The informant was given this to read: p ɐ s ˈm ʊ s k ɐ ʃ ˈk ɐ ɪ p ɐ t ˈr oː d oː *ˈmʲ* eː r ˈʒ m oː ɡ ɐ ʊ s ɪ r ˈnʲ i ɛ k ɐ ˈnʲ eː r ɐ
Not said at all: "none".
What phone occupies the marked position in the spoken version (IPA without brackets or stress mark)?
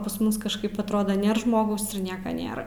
nʲ